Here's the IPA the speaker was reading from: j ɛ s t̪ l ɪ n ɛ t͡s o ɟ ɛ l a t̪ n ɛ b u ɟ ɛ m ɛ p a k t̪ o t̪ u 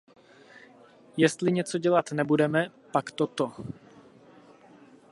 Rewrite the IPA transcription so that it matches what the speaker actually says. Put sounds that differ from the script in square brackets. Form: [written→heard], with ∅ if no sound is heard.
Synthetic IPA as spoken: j ɛ s t̪ l ɪ [n→ɲ] ɛ t͡s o ɟ ɛ l a t̪ n ɛ b u [ɟ→d] ɛ m ɛ p a k t̪ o t̪ [u→o]